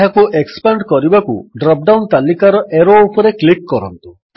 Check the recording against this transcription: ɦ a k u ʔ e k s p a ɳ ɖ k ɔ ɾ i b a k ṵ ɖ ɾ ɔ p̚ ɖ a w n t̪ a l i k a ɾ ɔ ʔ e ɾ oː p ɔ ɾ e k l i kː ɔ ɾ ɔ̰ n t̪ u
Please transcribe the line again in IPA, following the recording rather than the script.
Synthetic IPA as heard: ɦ a k u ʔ e k s p a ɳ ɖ k ɔ ɾ i b a k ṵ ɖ ɾ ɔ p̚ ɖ a w n t̪ a l i k a ɾ ɔ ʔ e ɾ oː p ɔ ɾ e k l i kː ɔ ɾ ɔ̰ n t̪ u